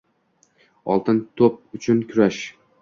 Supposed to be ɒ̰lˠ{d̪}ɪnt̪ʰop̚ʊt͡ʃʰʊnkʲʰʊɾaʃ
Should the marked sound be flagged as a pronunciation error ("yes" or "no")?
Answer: yes